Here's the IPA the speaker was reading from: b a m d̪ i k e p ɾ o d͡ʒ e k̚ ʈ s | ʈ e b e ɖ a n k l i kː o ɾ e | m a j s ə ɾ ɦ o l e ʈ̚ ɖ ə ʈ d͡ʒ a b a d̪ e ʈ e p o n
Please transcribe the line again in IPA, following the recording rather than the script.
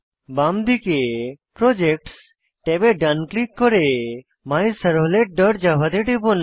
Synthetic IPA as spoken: b a m d̪ i k e p ɾ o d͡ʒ e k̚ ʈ s | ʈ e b e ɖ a n k l i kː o ɾ e | m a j s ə ɾ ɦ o l e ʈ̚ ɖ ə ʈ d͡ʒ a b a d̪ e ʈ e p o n